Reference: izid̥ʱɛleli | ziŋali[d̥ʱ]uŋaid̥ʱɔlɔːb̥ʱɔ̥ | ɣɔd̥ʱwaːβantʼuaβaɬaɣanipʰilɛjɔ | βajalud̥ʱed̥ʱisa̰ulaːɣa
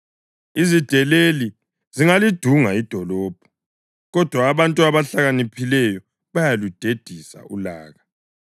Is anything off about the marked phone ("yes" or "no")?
no